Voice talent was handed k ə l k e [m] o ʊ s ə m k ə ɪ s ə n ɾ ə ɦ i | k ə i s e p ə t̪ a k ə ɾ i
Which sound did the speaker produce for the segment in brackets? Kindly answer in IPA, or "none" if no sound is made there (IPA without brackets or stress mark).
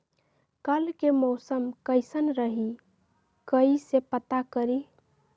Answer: m